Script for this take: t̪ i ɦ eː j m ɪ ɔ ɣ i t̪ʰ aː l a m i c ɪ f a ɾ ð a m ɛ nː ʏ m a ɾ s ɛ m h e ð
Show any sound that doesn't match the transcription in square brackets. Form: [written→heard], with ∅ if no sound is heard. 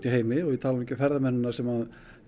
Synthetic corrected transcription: t̪ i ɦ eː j m ɪ ɔ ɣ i t̪ʰ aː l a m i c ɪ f [a→ɛ] ɾ ð a m ɛ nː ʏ [m→n] a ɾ s ɛ m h [e→a] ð